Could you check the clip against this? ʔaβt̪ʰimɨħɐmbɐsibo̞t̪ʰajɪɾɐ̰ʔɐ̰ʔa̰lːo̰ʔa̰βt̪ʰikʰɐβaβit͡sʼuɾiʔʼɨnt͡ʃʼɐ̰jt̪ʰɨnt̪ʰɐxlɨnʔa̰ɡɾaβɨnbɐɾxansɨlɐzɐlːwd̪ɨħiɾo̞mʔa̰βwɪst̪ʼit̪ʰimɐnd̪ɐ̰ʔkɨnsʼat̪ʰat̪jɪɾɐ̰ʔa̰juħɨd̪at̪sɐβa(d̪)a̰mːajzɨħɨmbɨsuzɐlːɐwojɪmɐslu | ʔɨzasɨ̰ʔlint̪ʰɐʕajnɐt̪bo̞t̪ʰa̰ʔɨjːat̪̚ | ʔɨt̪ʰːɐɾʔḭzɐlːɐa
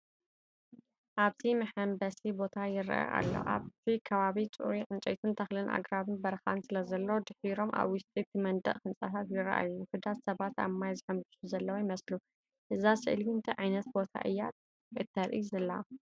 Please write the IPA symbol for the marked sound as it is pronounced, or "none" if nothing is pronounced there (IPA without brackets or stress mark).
t̪